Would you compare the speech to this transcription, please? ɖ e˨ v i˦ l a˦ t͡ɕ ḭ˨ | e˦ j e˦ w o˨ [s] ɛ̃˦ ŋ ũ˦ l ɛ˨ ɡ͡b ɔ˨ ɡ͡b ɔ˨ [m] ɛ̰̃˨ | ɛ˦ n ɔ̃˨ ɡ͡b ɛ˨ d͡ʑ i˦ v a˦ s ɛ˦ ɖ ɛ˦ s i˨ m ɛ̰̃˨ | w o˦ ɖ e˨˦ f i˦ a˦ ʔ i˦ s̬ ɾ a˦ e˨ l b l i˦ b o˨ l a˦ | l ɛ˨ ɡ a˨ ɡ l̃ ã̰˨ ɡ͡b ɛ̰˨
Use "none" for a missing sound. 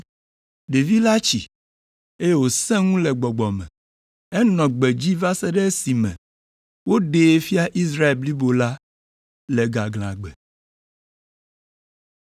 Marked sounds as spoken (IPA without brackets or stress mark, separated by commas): s, m